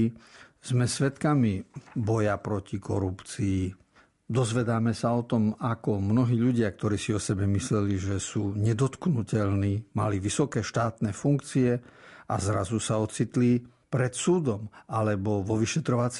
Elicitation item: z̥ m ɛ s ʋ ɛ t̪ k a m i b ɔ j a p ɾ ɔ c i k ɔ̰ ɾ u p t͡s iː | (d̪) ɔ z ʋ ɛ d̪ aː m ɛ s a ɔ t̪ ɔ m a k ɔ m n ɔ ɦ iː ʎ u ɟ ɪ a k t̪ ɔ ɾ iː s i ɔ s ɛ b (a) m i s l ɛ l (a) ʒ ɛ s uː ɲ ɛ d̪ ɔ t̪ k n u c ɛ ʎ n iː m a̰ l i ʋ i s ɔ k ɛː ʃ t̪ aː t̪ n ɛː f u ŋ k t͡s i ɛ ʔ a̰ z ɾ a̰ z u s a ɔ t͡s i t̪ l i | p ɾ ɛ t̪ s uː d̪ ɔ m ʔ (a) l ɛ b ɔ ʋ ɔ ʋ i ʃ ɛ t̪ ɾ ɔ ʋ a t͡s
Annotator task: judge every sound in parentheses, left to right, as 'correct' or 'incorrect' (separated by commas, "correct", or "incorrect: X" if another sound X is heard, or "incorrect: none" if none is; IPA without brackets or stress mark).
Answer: correct, incorrect: ɛ, incorrect: i, correct